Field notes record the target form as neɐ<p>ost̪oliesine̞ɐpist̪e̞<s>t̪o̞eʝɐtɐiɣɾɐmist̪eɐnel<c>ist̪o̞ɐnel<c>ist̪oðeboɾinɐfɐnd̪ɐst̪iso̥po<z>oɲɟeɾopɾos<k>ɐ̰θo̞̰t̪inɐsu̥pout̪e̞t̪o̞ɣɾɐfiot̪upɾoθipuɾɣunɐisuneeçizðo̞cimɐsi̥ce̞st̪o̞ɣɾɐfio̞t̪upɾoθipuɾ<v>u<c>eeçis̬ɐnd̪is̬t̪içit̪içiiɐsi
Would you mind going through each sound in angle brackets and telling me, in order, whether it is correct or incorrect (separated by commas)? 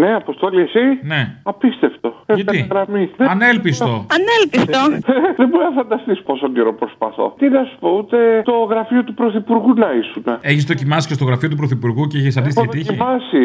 correct, incorrect, incorrect, incorrect, incorrect, incorrect, incorrect, correct